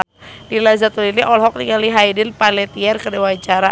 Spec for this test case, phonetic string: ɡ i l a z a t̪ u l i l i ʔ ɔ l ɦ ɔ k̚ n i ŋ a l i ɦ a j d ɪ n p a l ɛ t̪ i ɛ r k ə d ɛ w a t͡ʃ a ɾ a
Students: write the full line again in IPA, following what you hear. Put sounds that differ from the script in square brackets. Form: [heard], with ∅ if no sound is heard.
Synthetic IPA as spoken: [d] i l a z a t̪ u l i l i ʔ ɔ l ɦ ɔ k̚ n i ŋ a l i ɦ a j d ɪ n p a l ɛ t̪ i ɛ r k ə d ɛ w a t͡ʃ a ɾ a

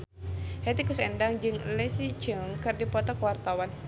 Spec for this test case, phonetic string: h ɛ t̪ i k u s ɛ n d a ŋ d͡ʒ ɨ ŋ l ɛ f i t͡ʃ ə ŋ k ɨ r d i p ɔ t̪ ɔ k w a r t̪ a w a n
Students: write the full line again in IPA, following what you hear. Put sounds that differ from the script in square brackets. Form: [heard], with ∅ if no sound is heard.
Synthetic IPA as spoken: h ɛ t̪ i k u s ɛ n d a ŋ d͡ʒ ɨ ŋ l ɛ [s] i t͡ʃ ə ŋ k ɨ r d i p ɔ t̪ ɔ k w a r t̪ a w a n

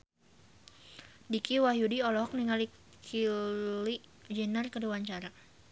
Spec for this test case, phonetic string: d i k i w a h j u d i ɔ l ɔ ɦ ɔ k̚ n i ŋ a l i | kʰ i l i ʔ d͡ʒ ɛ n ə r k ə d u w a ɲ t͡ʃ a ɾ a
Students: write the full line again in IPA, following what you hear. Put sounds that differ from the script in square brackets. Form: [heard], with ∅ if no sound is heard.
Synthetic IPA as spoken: d i k i w a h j u d i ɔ l ɔ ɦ ɔ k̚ n i ŋ a l i | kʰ i l i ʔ d͡ʒ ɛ n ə r k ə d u w a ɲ t͡ʃ a ɾ a

